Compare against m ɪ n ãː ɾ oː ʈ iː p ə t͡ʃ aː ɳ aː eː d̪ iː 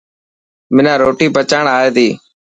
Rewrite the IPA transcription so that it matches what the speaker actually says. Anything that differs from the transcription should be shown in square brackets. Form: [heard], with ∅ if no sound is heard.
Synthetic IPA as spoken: m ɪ n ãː ɾ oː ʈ iː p ə t͡ʃ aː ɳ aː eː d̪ iː